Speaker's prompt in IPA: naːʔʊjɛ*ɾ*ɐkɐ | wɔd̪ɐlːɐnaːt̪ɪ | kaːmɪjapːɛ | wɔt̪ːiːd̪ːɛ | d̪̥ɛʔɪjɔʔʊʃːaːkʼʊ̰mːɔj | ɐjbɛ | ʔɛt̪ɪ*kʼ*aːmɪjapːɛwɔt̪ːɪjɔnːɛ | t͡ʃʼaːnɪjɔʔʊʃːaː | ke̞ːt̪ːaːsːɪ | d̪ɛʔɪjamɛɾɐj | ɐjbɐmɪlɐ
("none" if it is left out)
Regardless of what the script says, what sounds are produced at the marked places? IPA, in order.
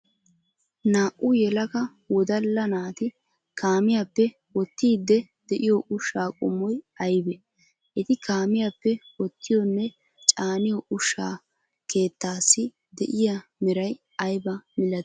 l, k

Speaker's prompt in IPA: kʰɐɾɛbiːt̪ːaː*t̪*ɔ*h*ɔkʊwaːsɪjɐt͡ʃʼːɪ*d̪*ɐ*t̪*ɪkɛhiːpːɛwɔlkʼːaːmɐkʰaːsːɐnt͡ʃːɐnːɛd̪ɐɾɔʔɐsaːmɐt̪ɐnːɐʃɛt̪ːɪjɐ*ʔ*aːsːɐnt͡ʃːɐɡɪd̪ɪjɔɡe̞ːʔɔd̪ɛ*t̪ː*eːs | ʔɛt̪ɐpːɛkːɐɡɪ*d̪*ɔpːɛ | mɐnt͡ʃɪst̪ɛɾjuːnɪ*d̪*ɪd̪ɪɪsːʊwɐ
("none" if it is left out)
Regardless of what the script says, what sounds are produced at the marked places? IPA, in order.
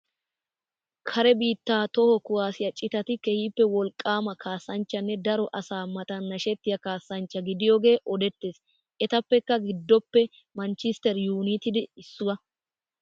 t̪, h, t̪, t̪, k, t̪ː, d̪ː, t̪

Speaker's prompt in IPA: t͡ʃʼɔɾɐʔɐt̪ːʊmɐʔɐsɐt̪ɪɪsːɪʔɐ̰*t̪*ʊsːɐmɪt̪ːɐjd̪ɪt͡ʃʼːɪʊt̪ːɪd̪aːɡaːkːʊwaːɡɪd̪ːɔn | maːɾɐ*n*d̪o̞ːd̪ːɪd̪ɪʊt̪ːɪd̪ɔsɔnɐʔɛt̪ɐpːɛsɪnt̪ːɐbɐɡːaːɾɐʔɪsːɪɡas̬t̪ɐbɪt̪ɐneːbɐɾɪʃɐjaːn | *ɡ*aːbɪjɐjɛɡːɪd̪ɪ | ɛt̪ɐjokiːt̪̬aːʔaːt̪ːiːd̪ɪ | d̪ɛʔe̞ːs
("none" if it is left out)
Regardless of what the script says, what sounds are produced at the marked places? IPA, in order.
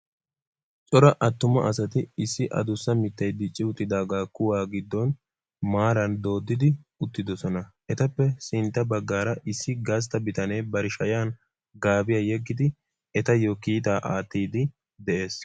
d̪, n, ɡ

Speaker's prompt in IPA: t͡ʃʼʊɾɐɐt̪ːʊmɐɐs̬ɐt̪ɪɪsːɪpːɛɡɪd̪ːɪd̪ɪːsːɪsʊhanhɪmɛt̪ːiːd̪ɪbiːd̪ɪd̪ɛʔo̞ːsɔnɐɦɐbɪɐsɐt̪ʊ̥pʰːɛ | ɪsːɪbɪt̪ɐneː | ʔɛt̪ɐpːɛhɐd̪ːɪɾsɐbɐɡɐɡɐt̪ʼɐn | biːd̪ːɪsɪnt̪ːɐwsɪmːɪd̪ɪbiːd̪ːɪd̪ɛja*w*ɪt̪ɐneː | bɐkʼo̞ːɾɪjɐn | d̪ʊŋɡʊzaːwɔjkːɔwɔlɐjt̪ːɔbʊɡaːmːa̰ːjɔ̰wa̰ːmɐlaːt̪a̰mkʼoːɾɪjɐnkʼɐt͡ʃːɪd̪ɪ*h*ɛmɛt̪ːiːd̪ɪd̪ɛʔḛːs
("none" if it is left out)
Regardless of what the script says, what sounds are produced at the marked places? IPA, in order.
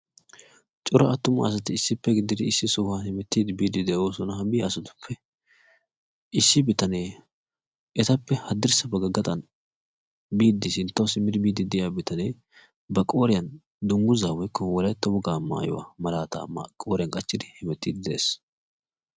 b, h

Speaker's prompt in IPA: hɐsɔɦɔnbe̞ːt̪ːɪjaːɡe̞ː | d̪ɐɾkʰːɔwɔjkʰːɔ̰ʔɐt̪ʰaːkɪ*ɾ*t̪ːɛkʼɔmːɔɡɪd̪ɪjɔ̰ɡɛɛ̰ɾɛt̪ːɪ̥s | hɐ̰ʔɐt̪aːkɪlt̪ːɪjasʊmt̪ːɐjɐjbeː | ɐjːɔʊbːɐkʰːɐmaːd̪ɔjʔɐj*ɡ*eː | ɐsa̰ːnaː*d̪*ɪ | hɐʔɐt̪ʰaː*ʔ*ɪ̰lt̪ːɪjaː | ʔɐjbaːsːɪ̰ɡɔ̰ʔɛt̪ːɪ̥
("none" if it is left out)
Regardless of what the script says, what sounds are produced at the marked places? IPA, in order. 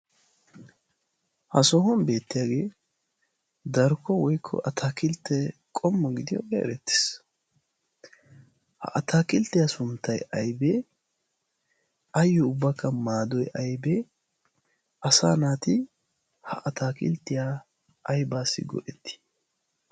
l, b, t̪, k

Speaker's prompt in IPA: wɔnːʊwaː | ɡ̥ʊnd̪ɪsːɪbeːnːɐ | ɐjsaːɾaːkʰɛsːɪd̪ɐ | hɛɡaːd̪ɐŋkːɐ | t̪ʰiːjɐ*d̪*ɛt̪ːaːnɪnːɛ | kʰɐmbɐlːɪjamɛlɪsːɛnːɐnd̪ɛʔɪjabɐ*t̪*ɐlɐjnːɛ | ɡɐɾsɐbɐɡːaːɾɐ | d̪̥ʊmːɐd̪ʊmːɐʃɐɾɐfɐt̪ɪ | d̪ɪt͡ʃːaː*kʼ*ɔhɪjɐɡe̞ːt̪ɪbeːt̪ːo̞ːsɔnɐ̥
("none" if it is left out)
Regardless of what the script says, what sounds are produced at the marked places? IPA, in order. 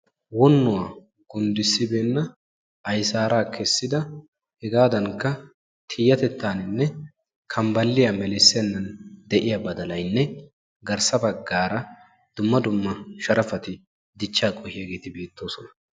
t̪, d̪, kʼ

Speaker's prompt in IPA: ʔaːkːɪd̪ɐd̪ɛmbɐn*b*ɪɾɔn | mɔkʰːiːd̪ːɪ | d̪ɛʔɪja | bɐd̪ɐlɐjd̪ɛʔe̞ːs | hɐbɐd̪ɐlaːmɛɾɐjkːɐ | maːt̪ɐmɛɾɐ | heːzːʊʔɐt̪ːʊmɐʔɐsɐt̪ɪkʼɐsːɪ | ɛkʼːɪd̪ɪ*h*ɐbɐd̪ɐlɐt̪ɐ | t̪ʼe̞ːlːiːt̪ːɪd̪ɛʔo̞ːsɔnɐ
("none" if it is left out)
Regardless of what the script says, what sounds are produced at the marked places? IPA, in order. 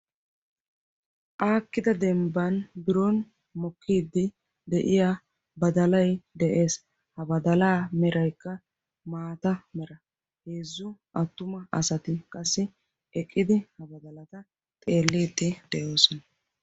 b, h

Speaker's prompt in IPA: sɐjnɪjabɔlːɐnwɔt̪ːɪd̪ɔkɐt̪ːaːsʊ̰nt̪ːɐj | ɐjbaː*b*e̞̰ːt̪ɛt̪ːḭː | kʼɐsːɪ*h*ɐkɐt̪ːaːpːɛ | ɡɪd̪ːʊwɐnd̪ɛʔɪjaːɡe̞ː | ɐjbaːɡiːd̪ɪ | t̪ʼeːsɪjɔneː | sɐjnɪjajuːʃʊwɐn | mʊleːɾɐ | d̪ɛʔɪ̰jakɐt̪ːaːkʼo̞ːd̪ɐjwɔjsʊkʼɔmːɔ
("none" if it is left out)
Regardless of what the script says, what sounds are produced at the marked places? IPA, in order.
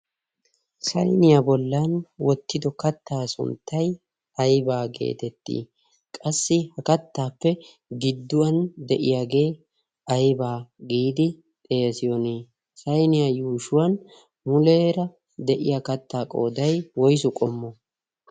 ɡ, h

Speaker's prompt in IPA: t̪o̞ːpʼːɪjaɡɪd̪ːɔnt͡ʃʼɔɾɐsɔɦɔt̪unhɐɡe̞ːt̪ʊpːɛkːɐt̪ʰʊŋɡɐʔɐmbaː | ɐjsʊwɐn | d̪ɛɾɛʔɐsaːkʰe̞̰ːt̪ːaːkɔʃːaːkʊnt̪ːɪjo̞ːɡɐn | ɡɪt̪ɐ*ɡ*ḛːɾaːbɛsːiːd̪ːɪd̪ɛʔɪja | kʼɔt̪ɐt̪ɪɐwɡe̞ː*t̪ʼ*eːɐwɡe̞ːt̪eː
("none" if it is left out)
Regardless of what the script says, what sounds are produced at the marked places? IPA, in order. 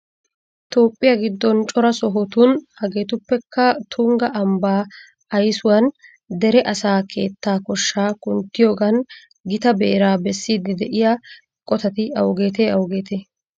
b, t̪

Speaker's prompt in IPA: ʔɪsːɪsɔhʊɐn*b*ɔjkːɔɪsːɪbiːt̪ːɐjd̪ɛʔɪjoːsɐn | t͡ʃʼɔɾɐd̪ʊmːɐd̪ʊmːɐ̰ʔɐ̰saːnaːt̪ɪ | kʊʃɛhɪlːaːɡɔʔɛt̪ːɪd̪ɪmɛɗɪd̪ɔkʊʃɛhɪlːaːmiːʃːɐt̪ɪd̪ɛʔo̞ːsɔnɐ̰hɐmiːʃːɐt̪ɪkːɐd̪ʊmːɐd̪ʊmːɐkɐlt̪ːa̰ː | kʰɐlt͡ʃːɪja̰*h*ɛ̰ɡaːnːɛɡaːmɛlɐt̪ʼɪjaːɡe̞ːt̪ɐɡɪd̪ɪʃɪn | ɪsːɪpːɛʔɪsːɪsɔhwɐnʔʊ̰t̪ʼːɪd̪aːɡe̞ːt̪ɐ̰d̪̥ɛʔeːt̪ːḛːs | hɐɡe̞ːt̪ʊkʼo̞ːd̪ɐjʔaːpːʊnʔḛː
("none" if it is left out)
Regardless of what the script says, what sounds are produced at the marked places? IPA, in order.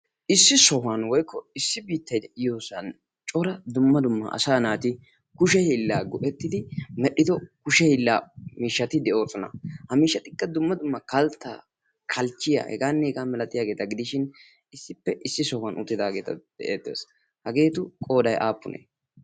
w, h

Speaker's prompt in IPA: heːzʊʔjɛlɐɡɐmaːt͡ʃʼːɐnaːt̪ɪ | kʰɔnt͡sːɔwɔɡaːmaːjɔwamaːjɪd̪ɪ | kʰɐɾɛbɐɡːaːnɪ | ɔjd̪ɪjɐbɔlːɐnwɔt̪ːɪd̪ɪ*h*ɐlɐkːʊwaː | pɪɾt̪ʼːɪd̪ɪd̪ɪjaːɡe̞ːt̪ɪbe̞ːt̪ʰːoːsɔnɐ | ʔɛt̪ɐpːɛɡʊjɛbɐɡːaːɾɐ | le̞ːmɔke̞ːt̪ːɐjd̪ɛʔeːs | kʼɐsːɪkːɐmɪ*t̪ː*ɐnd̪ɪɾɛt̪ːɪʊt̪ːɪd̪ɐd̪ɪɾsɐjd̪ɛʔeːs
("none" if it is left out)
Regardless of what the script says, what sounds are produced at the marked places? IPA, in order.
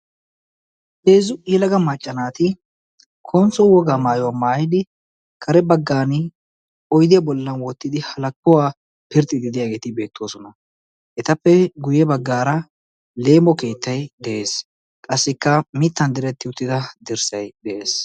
h, t̪ː

